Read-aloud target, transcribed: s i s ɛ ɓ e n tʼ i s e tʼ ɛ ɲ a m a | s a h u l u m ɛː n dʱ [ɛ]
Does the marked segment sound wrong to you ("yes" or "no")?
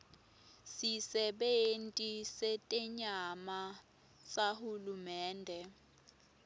no